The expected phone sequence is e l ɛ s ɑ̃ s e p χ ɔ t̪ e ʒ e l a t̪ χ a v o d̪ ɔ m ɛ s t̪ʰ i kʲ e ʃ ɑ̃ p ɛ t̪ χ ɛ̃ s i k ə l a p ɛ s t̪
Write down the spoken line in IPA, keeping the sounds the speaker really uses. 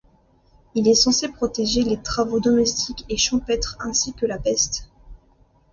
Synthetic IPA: i l ɛ s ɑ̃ s e p χ ɔ t̪ e ʒ e l e t̪ χ a v o d̪ ɔ m ɛ s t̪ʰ i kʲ e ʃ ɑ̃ p ɛ t̪ χ ɛ̃ s i k ə l a p ɛ s t̪